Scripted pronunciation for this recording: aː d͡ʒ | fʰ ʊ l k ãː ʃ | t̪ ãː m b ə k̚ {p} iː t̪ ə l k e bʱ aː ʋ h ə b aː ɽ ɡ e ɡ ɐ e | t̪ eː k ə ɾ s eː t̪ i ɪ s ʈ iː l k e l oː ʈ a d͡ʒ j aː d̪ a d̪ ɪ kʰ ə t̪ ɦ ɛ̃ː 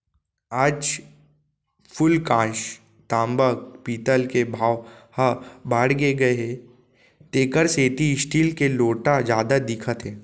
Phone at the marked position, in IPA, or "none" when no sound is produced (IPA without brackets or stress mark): p